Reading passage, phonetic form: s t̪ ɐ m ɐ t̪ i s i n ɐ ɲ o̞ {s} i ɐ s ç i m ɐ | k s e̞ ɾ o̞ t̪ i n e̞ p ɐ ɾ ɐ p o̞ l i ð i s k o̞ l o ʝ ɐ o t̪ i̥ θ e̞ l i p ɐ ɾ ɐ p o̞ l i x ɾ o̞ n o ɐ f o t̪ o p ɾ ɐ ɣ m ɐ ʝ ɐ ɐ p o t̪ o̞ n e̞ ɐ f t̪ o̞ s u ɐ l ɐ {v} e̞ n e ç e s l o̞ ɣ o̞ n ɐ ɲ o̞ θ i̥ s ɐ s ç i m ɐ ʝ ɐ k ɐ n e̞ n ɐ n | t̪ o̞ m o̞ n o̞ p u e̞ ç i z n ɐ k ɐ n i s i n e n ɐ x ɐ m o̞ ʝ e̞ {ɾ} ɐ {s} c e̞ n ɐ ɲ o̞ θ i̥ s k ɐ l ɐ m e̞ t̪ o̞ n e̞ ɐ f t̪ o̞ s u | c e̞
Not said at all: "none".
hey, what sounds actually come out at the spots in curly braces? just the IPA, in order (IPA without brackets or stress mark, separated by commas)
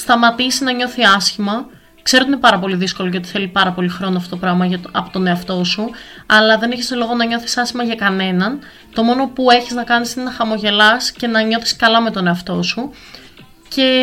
θ, ð, l, s